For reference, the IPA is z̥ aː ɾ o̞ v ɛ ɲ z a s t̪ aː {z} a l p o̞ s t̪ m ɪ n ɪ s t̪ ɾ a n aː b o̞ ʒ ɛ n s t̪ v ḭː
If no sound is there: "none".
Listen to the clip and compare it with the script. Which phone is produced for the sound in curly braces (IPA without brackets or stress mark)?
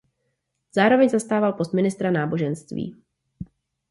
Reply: v